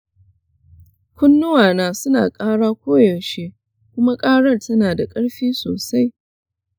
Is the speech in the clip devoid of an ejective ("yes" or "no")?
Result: no